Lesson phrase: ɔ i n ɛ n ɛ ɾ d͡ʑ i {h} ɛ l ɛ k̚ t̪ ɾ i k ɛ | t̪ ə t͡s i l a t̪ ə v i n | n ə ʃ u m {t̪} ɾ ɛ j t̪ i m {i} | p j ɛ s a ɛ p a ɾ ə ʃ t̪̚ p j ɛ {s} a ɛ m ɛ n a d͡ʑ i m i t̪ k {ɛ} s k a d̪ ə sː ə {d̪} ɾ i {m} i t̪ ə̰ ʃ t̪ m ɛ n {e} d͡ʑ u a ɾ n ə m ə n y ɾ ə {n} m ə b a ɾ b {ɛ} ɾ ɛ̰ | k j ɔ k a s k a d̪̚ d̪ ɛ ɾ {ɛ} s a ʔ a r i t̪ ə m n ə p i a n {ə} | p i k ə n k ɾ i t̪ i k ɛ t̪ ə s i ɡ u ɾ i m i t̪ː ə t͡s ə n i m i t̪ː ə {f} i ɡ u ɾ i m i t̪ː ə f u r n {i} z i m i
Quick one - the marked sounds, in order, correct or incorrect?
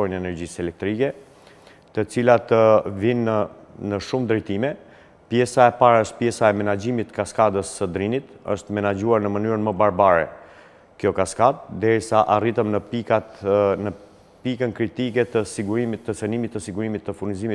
incorrect: s, incorrect: d̪, incorrect: ɛ, correct, incorrect: a, correct, incorrect: n, incorrect: a, correct, incorrect: a, incorrect: i, correct, incorrect: s, correct

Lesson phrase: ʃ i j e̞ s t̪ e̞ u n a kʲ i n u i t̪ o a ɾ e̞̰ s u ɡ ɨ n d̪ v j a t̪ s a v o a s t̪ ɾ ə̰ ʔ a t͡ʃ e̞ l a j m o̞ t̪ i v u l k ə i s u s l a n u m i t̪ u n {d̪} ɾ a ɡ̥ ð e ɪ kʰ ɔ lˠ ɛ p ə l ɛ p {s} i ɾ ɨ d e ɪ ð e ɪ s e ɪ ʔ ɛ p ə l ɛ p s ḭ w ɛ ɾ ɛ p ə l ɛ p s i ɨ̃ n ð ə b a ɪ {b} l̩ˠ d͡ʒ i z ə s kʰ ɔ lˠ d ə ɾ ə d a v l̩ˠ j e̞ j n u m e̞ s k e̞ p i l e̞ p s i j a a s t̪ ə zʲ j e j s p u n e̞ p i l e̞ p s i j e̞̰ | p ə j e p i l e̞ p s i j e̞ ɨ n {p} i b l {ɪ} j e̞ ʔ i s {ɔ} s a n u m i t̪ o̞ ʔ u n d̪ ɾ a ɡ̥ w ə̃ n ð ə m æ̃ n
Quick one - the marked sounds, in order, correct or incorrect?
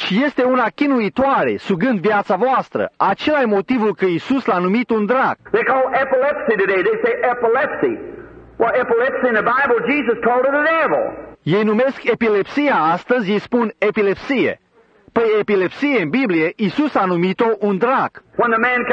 correct, correct, correct, incorrect: b, incorrect: i, incorrect: u

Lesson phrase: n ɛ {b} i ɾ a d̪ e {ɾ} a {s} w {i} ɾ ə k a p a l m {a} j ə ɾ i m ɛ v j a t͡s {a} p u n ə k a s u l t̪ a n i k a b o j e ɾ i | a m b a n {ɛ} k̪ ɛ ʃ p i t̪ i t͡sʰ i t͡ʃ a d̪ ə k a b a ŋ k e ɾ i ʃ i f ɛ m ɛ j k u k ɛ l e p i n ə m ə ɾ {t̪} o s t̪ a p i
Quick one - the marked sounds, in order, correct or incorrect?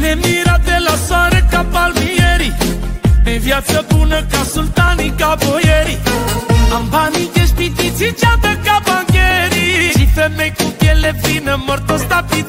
incorrect: m, incorrect: l, correct, incorrect: a, incorrect: i, incorrect: ə, incorrect: i, correct

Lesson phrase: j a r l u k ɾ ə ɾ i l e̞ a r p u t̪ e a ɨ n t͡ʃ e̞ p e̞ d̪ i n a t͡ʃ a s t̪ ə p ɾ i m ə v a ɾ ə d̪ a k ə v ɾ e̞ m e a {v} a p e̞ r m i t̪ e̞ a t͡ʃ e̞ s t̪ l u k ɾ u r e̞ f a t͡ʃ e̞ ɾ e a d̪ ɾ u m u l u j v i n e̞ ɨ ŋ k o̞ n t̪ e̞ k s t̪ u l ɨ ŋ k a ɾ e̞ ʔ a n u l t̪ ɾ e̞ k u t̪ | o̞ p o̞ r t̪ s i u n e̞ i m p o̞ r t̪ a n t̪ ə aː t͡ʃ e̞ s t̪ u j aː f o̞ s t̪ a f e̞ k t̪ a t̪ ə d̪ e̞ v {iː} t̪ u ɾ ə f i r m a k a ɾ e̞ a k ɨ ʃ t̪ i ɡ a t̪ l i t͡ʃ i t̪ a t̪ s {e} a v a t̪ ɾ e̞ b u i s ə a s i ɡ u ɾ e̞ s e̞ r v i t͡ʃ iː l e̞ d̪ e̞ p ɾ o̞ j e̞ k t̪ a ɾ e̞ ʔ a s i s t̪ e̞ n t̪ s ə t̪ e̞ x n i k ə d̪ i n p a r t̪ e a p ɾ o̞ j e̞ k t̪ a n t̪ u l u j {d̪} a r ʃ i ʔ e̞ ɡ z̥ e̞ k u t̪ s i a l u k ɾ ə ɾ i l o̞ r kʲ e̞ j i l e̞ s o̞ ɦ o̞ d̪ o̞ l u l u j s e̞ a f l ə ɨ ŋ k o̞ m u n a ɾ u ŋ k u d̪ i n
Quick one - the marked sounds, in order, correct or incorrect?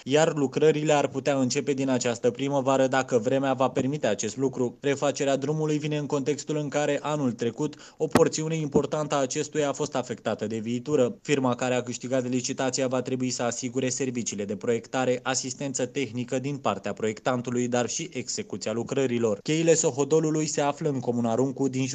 correct, correct, incorrect: i, correct

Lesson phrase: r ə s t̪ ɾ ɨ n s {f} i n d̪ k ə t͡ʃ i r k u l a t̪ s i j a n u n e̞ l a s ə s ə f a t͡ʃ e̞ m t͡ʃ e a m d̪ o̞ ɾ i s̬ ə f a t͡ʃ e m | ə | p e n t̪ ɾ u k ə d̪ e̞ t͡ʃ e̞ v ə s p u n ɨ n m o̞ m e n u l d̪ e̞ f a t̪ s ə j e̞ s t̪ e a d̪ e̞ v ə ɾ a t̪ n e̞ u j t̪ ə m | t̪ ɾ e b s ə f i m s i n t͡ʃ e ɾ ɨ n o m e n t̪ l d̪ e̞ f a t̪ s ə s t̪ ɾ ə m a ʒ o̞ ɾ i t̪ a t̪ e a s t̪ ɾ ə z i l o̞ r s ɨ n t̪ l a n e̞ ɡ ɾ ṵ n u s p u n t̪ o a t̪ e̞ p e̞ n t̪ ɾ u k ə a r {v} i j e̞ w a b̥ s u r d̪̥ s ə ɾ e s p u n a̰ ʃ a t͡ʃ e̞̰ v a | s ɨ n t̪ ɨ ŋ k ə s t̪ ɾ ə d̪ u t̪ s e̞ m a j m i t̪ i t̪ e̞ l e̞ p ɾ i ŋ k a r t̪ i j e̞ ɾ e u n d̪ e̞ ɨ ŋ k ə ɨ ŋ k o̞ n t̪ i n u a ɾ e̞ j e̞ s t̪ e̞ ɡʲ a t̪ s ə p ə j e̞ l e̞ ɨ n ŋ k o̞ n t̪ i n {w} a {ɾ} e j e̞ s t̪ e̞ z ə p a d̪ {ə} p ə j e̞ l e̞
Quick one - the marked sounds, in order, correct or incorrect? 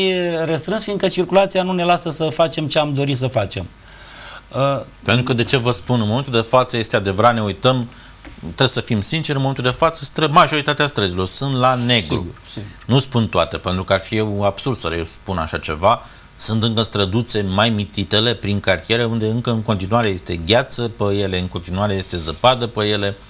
correct, incorrect: f, incorrect: u, correct, correct

